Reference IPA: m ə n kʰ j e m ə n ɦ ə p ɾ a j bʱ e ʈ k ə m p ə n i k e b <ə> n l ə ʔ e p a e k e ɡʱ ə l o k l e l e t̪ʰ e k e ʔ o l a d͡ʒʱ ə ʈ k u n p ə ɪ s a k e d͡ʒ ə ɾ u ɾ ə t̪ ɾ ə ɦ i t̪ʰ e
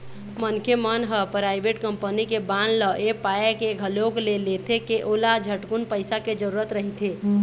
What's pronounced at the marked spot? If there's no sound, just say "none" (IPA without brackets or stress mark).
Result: a